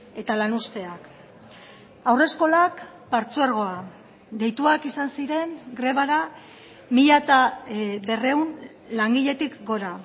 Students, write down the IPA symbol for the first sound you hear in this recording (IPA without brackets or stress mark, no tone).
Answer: e̞